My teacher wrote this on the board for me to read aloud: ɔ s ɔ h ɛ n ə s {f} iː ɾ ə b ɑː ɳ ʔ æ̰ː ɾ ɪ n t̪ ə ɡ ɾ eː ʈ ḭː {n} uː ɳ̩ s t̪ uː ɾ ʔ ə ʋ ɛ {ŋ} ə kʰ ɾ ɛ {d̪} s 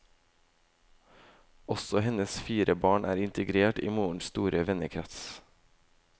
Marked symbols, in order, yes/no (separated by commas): yes, no, no, no